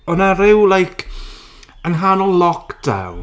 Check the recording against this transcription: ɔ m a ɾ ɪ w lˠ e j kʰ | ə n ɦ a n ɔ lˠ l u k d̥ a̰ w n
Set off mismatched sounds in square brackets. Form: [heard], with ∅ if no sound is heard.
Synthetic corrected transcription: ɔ [n] a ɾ ɪ w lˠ [a] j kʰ | ə n ɦ a n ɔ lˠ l [ɔ] k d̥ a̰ w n